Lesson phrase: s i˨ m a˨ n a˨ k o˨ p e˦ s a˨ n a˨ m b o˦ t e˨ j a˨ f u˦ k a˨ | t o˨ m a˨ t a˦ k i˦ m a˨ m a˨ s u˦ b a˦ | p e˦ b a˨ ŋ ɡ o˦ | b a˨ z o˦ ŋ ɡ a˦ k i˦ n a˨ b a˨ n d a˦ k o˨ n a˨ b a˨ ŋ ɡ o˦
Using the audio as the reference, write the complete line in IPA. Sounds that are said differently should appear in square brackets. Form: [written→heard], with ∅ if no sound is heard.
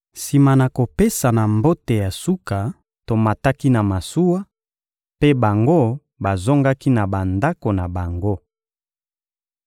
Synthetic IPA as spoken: s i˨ m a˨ n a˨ k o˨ p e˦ s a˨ n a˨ m b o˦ t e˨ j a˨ [f→s] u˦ k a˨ | t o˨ m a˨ t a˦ k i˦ [m→n] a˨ m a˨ s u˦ [b→w] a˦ | p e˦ b a˨ ŋ ɡ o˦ | b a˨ z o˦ ŋ ɡ a˦ k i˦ n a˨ b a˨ n d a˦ k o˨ n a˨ b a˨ ŋ ɡ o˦

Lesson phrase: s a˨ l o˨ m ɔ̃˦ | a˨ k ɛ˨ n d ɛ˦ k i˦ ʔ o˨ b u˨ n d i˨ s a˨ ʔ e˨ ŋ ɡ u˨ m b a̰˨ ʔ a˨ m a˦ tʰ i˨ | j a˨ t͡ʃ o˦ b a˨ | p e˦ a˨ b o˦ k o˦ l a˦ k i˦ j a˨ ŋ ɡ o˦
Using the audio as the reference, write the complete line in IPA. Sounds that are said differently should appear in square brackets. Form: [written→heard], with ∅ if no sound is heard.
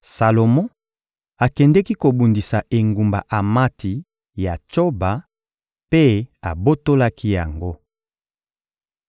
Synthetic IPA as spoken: s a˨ l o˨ m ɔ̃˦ | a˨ k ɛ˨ n d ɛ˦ k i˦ [ʔ→k] o˨ b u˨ n d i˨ s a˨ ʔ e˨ ŋ ɡ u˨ m b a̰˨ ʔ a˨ m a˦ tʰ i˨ | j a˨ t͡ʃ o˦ b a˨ | p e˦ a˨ b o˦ [k→t] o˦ l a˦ k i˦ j a˨ ŋ ɡ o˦

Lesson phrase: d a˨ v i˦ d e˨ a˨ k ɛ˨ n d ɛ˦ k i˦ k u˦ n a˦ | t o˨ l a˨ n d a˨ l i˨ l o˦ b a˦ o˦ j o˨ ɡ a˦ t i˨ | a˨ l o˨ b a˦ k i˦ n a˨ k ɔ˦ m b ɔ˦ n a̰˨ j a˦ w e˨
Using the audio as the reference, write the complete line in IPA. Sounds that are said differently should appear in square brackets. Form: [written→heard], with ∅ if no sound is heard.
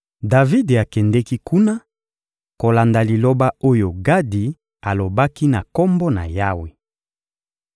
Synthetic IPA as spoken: d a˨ v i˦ d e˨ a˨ k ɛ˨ n d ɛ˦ k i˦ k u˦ n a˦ | [t→k] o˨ l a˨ n d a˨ l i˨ l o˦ b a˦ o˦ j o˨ ɡ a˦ [t→d] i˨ | a˨ l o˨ b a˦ k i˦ n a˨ k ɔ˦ m b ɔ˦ n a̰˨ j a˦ w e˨

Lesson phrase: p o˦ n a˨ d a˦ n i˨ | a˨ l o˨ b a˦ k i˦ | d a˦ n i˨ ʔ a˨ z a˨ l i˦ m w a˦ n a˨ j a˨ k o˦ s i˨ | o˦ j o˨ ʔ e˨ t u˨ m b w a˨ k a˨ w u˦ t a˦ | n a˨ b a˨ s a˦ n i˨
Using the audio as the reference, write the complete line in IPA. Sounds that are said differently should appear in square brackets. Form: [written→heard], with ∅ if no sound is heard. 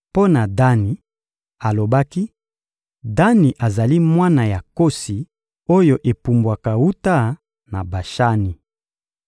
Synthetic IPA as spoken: p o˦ n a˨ d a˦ n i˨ | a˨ l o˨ b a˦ k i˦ | d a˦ n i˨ ʔ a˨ z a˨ l i˦ m w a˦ n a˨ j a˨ k o˦ s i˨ | o˦ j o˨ ʔ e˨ [t→p] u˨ m b w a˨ k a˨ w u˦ t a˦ | n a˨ b a˨ [s→ʃ] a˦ n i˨

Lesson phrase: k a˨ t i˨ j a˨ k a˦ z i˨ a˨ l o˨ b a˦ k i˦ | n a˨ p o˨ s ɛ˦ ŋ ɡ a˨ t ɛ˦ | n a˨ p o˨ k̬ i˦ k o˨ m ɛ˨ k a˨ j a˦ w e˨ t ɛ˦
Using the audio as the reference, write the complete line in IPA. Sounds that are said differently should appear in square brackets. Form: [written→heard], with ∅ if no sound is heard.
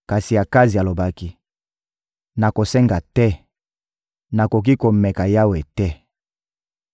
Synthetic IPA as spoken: k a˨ [t→s] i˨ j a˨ k a˦ z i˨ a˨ l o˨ b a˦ k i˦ | n a˨ [p→k] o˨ s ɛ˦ ŋ ɡ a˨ t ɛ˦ | n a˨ [p→k] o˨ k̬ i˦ k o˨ m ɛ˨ k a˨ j a˦ w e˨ t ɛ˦

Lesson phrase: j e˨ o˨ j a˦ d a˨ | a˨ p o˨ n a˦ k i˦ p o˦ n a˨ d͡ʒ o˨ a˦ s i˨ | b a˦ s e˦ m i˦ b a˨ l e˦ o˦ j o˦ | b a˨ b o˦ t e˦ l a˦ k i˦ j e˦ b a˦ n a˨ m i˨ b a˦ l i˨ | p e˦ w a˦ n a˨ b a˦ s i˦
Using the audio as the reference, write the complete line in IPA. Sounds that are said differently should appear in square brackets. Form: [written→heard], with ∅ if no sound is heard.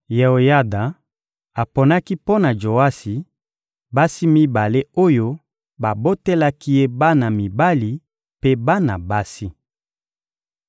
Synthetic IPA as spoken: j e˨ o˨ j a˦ d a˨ | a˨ p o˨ n a˦ k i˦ p o˦ n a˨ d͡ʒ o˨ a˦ s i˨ | b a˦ s [e˦→i˦] m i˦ b a˨ l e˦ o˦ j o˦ | b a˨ b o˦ t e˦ l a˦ k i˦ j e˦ b a˦ n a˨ m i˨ b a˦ l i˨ | p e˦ [w→b] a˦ n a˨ b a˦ s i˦

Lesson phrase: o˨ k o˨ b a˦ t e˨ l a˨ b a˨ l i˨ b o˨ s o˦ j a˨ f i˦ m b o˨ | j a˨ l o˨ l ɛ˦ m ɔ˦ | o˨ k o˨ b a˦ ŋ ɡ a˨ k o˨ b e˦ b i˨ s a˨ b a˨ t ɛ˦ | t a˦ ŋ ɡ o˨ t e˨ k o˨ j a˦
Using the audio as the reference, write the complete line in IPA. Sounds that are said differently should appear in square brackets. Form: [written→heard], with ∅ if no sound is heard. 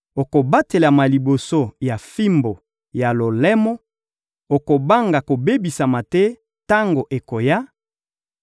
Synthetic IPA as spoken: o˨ k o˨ b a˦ t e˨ l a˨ [b→m] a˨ l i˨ b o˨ s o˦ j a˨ f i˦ m b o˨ | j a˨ l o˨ l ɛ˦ m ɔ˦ | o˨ k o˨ b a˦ ŋ ɡ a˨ k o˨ b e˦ b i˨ s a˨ [b→m] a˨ t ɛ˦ | t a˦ ŋ ɡ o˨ [t→ʔ] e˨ k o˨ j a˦

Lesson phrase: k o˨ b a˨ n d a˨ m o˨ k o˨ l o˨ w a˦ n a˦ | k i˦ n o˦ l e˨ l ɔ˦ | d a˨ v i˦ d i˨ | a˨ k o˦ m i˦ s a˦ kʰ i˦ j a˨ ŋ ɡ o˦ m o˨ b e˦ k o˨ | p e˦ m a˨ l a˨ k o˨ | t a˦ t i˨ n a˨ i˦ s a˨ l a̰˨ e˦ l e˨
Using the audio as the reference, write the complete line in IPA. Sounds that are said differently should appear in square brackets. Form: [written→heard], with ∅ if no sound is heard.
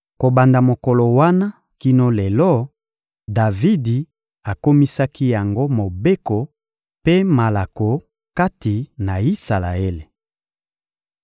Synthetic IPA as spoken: k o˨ b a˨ n d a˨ m o˨ k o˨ l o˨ w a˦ n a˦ | k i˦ n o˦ l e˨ l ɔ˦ | d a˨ v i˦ d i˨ | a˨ k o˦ m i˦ s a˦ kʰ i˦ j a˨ ŋ ɡ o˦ m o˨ b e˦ k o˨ | p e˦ m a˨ l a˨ k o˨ | [t→k] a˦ t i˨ n a˨ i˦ s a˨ l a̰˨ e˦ l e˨

